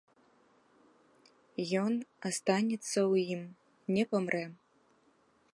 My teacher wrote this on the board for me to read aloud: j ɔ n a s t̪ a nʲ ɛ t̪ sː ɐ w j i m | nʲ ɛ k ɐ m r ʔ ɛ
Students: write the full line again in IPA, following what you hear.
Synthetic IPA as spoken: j ɔ n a s t̪ a nʲ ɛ t̪ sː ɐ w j i m | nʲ ɛ p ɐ m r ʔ ɛ